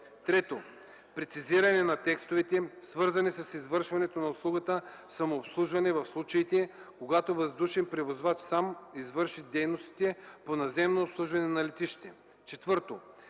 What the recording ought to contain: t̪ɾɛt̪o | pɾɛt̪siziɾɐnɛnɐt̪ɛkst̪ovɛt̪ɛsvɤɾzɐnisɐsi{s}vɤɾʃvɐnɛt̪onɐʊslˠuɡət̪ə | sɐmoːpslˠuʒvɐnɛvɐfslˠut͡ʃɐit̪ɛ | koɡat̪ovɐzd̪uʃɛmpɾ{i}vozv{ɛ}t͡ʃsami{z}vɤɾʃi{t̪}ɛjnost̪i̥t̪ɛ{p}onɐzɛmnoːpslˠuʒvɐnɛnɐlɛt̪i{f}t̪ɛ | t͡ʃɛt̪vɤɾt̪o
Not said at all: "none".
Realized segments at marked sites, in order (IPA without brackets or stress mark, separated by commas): z, ɛ, a, z, d̪, p, ʃ